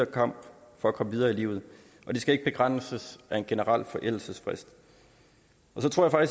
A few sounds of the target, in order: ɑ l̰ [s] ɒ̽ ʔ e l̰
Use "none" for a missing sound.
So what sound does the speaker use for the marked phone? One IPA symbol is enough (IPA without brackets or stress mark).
f